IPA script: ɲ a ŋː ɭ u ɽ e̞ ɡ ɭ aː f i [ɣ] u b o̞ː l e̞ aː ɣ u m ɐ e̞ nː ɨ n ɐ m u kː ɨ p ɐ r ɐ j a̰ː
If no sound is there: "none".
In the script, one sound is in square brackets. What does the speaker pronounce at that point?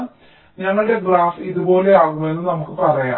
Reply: ð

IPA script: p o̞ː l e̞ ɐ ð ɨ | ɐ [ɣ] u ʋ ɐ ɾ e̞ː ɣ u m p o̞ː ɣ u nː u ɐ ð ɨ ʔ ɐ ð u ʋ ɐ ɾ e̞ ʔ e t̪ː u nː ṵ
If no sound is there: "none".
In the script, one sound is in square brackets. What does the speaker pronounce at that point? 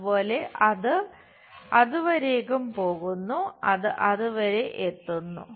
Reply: ð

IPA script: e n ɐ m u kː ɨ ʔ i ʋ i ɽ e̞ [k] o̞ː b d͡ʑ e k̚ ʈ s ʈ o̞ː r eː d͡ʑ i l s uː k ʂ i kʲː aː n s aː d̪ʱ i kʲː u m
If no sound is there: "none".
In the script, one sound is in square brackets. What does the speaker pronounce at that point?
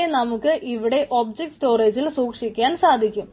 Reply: ʔ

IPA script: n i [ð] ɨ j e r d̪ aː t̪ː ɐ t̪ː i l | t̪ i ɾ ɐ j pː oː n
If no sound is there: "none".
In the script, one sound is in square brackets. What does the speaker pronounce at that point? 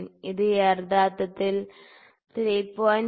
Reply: ð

